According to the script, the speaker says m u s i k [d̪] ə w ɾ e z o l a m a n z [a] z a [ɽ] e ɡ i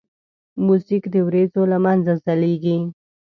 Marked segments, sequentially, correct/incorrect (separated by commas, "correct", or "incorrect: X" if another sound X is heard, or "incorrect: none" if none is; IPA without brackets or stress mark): correct, correct, incorrect: l